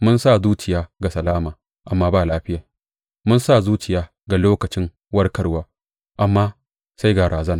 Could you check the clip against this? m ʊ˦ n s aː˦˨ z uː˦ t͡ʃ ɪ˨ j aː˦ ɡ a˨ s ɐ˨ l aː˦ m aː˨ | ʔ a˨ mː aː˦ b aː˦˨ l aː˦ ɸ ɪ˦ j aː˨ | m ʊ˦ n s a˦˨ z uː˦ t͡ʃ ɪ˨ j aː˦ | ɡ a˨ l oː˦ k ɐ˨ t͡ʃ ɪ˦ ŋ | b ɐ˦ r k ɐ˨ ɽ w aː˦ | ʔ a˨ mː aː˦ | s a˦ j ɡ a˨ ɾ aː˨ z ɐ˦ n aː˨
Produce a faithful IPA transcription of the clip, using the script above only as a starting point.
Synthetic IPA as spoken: m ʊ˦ n s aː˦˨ z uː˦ t͡ʃ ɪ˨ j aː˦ ɡ a˨ s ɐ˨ l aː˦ m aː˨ | ʔ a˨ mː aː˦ b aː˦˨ l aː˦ ɸ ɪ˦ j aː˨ | m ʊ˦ n s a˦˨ z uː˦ t͡ʃ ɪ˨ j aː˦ | ɡ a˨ l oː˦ k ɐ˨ t͡ʃ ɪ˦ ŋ | w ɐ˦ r k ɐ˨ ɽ w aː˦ | ʔ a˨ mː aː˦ | s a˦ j ɡ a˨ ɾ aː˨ z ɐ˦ n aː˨